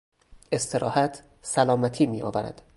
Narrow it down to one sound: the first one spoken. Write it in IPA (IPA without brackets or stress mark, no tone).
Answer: e̞